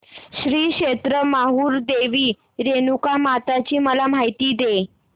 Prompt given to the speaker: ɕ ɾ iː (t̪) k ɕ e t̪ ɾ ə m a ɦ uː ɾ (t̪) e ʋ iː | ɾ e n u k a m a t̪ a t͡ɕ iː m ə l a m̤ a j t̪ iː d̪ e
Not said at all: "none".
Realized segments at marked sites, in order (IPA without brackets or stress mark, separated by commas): none, d̪